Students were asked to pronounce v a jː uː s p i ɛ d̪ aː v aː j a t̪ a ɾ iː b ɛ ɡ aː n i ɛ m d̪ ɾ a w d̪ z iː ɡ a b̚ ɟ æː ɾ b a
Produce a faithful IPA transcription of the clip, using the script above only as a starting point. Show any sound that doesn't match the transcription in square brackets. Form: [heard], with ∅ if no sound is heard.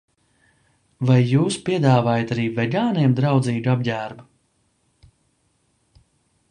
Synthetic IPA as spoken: v a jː uː s p i ɛ d̪ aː v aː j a t̪ a ɾ iː [v] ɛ ɡ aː n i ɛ m d̪ ɾ a w d̪ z iː ɡ a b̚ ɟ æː ɾ b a